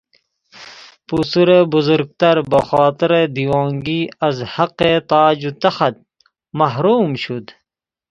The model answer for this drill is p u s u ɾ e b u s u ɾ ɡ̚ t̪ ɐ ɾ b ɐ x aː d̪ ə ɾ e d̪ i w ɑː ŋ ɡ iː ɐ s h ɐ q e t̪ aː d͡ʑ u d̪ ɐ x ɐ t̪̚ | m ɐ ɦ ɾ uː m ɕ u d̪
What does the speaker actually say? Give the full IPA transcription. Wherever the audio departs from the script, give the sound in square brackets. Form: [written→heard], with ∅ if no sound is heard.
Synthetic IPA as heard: p u s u ɾ e b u [s→z] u ɾ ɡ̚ t̪ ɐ ɾ b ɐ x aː [d̪→t̪] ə ɾ e d̪ i w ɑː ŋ ɡ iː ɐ [s→z] h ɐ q e t̪ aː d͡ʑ u [d̪→t̪] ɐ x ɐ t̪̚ | m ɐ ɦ ɾ uː m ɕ u d̪